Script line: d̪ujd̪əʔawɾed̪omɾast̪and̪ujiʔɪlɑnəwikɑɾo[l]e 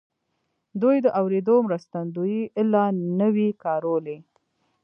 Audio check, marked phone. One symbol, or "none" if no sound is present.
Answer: l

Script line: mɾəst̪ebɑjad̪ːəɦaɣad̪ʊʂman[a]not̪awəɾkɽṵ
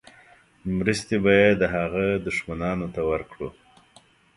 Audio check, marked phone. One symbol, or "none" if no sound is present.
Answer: ɑ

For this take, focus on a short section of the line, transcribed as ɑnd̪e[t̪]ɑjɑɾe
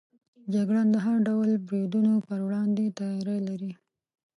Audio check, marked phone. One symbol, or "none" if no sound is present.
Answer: t̪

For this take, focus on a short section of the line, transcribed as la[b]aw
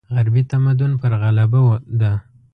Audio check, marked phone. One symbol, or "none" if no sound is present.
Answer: b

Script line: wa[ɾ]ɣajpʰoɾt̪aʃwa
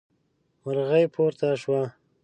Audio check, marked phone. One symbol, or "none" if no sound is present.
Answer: ɾ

